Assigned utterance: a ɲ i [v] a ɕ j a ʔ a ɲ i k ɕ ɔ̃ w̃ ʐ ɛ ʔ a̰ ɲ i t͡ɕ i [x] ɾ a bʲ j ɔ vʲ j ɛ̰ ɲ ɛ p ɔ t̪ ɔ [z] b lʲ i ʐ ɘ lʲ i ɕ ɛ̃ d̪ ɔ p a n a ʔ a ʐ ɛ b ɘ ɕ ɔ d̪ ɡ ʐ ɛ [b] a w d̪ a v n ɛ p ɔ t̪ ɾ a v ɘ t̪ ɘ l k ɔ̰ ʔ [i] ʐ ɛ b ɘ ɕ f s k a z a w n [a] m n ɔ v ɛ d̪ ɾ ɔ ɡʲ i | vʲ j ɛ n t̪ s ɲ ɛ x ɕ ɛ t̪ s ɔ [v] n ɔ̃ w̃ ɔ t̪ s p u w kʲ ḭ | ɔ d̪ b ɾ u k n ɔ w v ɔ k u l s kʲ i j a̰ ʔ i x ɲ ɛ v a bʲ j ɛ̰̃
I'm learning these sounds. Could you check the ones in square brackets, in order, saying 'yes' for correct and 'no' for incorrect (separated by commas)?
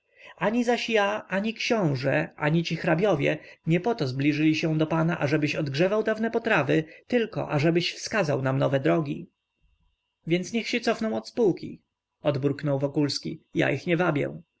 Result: no, yes, yes, no, no, yes, no